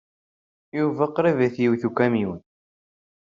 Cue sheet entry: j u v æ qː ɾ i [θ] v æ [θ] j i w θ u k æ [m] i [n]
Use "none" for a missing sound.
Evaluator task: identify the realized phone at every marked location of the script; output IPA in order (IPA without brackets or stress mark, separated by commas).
none, θ, m, n